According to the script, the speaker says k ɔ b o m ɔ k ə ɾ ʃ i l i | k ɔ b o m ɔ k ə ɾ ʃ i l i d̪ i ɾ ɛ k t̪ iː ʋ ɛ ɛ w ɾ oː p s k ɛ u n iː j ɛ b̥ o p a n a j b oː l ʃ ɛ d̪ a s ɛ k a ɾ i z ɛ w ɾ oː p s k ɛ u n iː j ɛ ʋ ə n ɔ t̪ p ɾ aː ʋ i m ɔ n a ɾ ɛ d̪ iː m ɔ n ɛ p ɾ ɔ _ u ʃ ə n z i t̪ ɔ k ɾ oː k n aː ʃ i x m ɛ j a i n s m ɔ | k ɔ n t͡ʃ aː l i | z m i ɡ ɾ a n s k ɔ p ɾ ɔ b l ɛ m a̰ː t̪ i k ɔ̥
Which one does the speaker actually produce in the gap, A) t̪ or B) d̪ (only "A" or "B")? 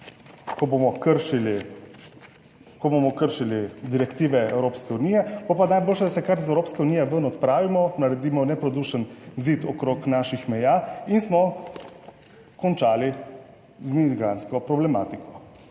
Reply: B